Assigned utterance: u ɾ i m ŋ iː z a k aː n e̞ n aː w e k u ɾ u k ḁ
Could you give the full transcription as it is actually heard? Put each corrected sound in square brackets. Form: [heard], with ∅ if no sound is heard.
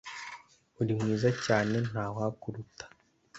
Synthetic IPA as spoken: u ɾ i m ŋ iː z a [c] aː n e̞ n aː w [a] k u ɾ u [t] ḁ